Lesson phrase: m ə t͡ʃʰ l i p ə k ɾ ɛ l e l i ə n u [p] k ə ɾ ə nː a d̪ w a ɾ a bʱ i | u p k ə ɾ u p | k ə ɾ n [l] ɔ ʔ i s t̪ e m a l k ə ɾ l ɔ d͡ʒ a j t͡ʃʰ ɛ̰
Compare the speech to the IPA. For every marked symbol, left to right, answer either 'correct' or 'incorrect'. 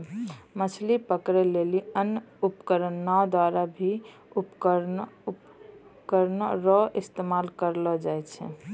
correct, incorrect: ɾ

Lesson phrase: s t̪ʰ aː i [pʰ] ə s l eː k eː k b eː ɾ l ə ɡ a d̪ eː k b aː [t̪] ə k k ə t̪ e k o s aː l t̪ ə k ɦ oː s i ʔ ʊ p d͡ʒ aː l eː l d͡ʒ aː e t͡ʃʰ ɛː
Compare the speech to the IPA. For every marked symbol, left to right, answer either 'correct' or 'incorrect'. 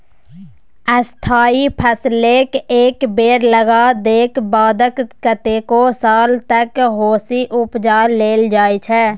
correct, incorrect: d̪

